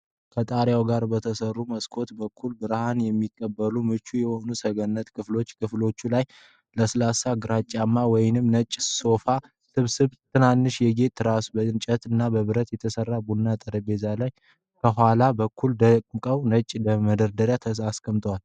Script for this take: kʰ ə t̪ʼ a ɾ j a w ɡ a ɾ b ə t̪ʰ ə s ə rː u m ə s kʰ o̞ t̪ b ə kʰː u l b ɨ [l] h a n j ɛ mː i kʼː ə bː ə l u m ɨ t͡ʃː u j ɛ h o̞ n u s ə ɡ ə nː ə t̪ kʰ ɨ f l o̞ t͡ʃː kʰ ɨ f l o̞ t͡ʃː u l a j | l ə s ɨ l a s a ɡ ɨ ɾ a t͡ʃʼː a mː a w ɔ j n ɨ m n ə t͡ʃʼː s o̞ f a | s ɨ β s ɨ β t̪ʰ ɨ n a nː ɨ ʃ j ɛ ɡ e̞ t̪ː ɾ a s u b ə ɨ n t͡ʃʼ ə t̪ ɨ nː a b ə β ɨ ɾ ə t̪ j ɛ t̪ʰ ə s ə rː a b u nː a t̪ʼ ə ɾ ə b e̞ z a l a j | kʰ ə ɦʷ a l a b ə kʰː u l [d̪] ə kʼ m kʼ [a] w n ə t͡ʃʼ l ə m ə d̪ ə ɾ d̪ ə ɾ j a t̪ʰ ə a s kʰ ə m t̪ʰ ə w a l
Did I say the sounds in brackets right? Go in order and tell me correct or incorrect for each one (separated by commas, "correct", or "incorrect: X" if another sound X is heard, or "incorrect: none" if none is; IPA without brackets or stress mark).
incorrect: ɾ, correct, incorrect: ə